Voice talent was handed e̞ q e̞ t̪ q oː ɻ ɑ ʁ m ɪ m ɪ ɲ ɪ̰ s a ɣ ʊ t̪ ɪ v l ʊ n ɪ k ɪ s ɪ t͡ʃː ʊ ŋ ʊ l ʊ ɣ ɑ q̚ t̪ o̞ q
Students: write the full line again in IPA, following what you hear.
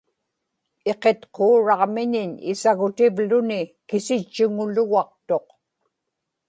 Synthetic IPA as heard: e̞ q e̞ t̪ q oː ɻ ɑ ʁ m ɪ ɲ ɪ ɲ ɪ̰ s a ɣ ʊ t̪ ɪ v l ʊ n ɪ k ɪ s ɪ t͡ʃː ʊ ŋ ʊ l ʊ ɣ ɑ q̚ t̪ o̞ q